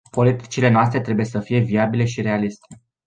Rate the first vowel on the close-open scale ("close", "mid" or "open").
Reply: mid